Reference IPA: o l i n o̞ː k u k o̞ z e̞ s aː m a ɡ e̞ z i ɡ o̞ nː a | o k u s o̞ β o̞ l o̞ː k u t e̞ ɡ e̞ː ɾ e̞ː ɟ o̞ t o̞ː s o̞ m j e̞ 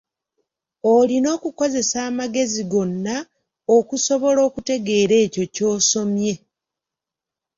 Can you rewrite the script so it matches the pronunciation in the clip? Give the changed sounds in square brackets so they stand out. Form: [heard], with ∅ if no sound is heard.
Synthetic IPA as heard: o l i n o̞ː k u k o̞ z e̞ s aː m a ɡ e̞ z i ɡ o̞ nː a | o k u s o̞ β o̞ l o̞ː k u t e̞ ɡ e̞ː ɾ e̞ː [c] o̞ [c] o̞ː s o̞ m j e̞